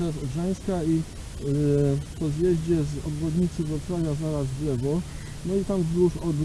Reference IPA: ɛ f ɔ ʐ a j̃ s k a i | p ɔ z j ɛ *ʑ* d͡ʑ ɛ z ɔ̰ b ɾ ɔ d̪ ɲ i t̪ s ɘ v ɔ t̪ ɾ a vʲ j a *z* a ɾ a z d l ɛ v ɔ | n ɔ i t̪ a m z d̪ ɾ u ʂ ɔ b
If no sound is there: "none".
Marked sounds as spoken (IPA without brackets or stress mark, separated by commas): ʑ, z